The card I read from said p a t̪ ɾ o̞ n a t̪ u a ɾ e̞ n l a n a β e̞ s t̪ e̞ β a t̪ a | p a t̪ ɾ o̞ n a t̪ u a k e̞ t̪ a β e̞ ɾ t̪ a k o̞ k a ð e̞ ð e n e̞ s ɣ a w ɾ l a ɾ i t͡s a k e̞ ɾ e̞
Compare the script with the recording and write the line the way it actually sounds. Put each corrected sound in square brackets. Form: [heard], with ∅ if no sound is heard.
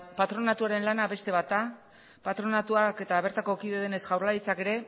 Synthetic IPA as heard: p a t̪ ɾ o̞ n a t̪ u a ɾ e̞ n l a n a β e̞ s t̪ e̞ β a t̪ a | p a t̪ ɾ o̞ n a t̪ u a k e̞ t̪ a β e̞ ɾ t̪ a k o̞ k [i] ð e̞ ð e n e̞ s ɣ a w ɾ l a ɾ i t͡s a k e̞ ɾ e̞